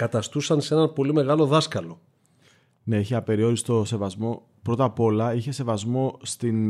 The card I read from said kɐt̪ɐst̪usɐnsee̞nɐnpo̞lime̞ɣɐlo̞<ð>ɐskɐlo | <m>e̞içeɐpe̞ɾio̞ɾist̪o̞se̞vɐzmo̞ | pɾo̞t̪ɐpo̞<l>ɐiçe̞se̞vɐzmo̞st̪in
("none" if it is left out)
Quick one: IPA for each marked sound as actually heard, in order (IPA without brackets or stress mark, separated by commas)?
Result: ð, n, l